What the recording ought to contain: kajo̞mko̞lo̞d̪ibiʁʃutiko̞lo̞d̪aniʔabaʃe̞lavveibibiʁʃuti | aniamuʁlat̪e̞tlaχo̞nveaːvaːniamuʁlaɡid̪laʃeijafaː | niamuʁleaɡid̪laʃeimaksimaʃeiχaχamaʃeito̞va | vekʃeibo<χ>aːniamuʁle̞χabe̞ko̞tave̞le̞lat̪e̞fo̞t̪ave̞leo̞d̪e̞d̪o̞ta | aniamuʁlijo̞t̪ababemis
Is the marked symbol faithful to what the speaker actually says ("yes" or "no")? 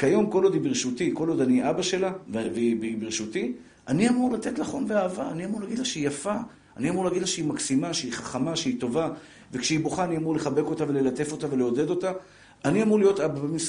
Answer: yes